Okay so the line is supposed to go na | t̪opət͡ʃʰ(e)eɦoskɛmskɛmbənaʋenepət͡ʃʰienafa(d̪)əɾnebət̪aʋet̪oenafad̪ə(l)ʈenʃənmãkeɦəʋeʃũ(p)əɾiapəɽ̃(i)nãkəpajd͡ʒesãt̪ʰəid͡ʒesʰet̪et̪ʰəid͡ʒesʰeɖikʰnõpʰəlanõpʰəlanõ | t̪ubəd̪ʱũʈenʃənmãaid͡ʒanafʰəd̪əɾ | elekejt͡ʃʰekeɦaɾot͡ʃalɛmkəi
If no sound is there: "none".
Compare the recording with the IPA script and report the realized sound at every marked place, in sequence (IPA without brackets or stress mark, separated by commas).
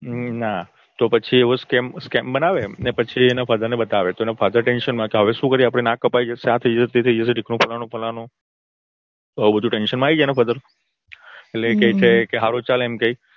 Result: i, d̪, ɾ, k, e